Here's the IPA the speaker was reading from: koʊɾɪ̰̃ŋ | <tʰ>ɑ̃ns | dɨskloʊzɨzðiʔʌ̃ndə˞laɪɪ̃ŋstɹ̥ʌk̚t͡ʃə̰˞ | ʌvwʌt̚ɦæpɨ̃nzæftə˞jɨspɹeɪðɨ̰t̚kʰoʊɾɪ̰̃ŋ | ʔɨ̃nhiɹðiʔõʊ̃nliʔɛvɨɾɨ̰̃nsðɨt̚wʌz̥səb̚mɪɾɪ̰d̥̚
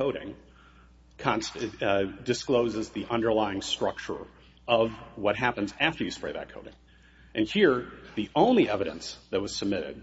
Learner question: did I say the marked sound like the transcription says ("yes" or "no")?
no